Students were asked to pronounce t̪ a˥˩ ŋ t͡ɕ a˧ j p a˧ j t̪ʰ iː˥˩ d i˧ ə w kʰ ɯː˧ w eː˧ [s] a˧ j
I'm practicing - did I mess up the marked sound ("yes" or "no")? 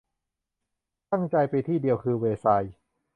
no